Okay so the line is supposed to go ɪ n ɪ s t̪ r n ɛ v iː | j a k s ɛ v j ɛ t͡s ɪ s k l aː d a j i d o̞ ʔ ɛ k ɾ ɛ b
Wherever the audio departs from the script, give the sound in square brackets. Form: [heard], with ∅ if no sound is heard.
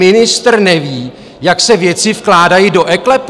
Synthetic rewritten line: ɪ n ɪ s t̪ r n ɛ v iː | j a k s ɛ v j ɛ t͡s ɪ [f] k l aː d a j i d o̞ ʔ ɛ k [l] ɛ [p]